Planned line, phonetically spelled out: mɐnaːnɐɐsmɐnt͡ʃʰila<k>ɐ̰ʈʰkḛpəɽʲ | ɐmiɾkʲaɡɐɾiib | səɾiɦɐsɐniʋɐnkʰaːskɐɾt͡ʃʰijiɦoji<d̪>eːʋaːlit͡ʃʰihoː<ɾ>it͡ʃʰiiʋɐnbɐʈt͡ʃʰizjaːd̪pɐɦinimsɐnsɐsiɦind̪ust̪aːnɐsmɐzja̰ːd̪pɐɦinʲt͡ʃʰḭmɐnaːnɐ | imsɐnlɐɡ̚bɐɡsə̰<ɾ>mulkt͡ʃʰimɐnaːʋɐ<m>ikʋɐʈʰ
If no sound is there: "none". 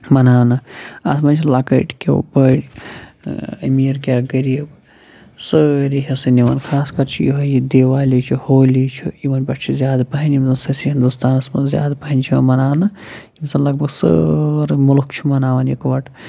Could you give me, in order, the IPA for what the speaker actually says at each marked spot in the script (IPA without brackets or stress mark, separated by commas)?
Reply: k, d̪, l, ɾ, n